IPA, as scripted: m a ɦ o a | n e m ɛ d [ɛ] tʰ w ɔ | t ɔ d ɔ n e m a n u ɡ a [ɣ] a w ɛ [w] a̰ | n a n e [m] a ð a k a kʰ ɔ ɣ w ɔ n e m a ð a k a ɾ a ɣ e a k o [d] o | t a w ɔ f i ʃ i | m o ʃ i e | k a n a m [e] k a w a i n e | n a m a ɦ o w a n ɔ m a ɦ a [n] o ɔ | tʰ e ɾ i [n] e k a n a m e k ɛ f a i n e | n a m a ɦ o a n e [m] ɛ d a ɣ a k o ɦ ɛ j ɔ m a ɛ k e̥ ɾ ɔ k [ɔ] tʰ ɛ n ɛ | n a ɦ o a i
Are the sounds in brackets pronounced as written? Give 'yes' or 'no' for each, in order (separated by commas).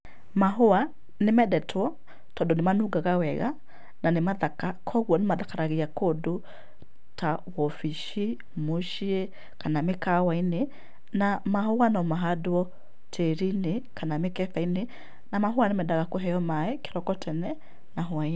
yes, yes, no, yes, yes, yes, no, yes, yes, yes